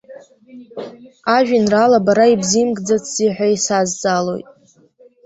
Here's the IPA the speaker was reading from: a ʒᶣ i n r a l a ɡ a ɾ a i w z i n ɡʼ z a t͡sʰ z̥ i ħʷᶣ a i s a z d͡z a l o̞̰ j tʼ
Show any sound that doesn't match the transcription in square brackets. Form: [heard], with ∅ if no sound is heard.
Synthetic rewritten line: a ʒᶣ i n r a l a [b] a ɾ a i [b] z i [m] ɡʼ [d͡z] a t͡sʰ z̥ i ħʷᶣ a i s a z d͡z a l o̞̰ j tʼ